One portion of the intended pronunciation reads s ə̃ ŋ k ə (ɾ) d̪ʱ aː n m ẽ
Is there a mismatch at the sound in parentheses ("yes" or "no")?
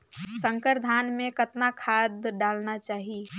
no